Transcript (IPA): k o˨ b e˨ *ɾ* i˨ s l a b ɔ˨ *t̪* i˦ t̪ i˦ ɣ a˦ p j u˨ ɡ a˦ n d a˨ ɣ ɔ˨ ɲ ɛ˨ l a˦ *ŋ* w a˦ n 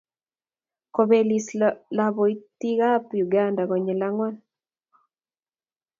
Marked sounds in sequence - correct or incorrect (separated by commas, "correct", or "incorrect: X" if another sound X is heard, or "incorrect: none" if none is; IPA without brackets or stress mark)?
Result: incorrect: l, incorrect: none, correct